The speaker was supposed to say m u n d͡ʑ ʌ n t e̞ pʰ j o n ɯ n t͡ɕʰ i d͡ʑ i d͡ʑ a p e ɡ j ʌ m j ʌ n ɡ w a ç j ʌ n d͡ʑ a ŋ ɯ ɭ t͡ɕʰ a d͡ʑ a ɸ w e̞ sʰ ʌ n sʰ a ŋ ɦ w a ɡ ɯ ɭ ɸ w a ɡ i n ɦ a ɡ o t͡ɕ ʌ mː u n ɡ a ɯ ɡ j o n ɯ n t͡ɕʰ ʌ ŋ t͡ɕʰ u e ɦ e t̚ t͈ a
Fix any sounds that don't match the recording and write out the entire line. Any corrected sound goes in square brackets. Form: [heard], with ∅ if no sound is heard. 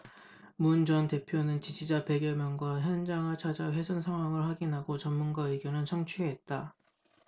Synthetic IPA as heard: m u n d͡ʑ ʌ n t e̞ pʰ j o n ɯ n [t͡ɕ] i d͡ʑ i d͡ʑ a p e ɡ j ʌ m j ʌ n ɡ w a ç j ʌ n d͡ʑ a ŋ ɯ ɭ t͡ɕʰ a d͡ʑ a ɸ w e̞ sʰ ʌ n sʰ a ŋ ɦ w a [ŋ] ɯ ɭ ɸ w a ɡ i n ɦ a ɡ o t͡ɕ ʌ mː u n ɡ a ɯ ɡ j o n ɯ n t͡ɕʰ ʌ ŋ t͡ɕʰ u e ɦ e t̚ t͈ a